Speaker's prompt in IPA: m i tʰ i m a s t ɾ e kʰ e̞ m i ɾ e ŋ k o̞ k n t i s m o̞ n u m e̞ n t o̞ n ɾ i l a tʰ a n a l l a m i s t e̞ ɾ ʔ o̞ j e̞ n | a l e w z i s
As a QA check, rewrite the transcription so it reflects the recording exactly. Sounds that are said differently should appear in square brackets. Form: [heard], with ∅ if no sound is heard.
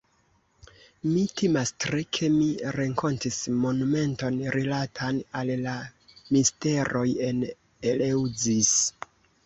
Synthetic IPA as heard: m i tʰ i m a s t ɾ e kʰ e̞ m i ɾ e ŋ k o̞ [∅] n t i s m o̞ n u m e̞ n t o̞ n ɾ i l a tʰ a n a l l a m i s t e̞ ɾ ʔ o̞ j e̞ n | [e] l e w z i s